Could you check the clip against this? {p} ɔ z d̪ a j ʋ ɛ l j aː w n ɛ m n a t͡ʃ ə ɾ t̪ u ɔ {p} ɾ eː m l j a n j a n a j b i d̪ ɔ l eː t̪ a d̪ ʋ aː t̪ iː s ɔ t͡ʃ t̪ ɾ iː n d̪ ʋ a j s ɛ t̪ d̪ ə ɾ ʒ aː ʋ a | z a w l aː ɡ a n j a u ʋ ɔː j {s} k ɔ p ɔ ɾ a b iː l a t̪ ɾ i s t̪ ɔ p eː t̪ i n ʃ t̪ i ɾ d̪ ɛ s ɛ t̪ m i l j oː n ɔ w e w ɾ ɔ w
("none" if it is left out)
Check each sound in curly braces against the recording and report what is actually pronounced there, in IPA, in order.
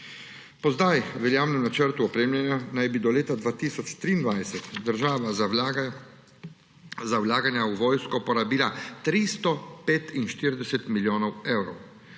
p, p, s

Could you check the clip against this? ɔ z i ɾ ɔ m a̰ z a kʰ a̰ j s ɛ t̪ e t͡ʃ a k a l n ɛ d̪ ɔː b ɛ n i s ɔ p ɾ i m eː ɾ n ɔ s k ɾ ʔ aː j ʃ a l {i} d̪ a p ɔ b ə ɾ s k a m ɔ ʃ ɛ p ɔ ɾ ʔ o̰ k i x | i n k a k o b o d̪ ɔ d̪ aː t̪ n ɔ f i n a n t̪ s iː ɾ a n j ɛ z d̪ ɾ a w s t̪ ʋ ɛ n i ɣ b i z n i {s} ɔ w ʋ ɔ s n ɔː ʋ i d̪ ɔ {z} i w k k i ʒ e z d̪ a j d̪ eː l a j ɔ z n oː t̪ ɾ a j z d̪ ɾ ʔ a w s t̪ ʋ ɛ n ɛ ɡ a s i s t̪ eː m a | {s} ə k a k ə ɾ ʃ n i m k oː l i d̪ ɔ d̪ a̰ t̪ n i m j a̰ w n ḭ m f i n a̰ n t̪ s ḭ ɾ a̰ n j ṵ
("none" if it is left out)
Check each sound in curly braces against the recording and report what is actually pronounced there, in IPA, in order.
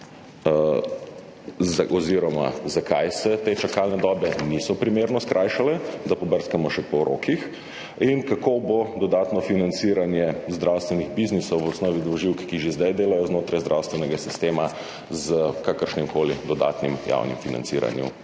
ɛ, s, ʒ, z

